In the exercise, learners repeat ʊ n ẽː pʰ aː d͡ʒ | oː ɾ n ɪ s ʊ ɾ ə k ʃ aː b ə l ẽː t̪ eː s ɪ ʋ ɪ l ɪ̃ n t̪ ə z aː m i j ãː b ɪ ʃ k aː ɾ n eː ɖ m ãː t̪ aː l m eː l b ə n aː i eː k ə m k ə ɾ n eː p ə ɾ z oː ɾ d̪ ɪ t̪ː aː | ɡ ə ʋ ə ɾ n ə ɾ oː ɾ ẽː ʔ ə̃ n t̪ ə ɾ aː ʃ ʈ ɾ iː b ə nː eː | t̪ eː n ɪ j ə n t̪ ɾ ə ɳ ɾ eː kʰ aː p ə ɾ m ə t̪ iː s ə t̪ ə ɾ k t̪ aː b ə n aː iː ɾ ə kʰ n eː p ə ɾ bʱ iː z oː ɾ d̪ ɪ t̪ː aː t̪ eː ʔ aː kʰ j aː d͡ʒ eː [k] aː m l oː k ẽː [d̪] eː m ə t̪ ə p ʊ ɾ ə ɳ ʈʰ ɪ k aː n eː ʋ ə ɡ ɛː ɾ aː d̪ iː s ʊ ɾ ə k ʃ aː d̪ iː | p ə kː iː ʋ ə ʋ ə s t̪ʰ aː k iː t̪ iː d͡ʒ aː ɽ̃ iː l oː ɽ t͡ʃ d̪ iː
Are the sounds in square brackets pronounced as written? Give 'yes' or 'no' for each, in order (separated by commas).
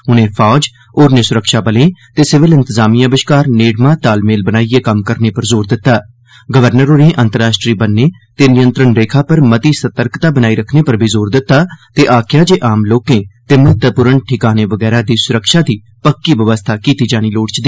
no, no